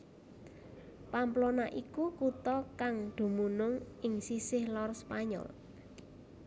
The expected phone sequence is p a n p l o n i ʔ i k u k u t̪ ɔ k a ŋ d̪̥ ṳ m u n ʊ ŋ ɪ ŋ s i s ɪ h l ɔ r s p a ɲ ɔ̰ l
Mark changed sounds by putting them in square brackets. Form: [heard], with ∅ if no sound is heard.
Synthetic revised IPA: p a [m] p l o n [a] ʔ i k u k u t̪ ɔ k a ŋ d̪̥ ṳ m u n ʊ ŋ ɪ ŋ s i s ɪ h l ɔ r s p a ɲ ɔ̰ l